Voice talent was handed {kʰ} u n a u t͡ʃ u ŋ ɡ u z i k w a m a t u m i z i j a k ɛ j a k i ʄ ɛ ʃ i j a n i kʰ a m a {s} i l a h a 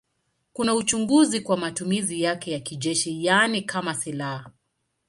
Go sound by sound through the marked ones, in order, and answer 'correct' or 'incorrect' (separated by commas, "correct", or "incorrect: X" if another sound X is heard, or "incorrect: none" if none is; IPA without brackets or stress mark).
incorrect: k, correct